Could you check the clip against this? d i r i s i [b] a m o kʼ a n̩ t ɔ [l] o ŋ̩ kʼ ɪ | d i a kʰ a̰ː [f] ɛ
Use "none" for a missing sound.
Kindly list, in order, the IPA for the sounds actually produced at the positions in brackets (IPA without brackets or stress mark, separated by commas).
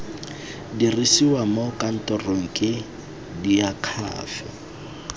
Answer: w, r, f